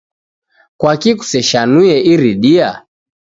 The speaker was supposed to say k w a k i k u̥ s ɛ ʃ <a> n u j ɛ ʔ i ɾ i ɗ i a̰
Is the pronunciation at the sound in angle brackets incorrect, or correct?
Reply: correct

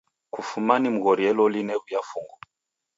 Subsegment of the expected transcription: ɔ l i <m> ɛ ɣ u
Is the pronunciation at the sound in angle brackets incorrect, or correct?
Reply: incorrect: n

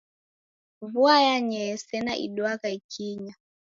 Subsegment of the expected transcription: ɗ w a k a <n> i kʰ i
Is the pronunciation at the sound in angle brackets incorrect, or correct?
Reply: incorrect: none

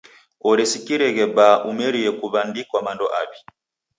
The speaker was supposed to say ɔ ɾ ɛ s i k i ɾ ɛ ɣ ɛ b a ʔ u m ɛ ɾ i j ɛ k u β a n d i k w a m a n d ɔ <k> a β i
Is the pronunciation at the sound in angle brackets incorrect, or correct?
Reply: incorrect: ʔ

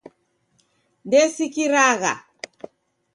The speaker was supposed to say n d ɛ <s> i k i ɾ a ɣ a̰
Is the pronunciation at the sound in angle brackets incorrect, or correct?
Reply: correct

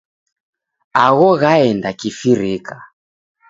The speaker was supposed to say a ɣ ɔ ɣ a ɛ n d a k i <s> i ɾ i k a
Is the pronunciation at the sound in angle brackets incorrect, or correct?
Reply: incorrect: f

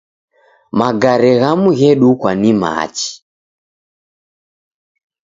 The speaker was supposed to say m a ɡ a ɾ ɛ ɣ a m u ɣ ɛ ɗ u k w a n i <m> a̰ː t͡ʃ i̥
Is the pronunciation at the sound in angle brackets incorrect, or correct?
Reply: correct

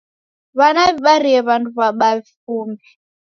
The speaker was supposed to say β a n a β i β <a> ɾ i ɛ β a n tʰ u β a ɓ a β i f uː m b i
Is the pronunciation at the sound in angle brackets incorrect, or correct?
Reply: correct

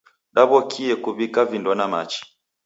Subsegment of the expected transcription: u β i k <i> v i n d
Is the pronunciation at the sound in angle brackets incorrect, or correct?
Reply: incorrect: a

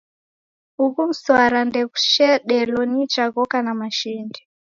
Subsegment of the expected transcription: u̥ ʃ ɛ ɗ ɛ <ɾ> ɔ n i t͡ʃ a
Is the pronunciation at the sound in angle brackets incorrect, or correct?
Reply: incorrect: l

